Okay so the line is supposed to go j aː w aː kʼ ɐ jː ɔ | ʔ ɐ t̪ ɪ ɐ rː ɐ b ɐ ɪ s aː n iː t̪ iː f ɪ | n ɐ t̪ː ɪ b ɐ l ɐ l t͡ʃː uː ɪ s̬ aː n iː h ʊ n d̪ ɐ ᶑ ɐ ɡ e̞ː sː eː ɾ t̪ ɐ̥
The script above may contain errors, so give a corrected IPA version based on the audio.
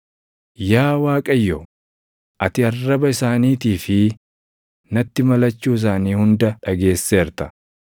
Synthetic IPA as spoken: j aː w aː kʼ ɐ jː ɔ | ʔ ɐ t̪ ɪ ɐ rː ɐ b ɐ ɪ s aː n iː t̪ iː f ɪ | n ɐ t̪ː ɪ m ɐ l ɐ t͡ʃː uː ɪ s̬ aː n iː h ʊ n d̪ ɐ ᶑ ɐ ɡ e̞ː sː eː ɾ t̪ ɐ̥